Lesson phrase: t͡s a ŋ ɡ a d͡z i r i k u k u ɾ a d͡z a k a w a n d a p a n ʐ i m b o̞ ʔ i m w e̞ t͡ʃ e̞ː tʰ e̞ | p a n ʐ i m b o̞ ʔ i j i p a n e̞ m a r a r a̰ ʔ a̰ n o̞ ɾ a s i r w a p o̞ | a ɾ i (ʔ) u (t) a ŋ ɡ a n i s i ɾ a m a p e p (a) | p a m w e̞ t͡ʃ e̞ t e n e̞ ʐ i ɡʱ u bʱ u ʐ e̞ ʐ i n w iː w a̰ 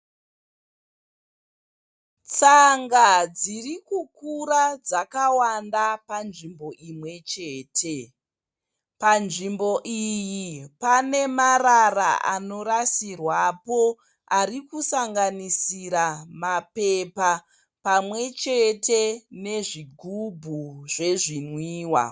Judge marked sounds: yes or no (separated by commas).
no, no, yes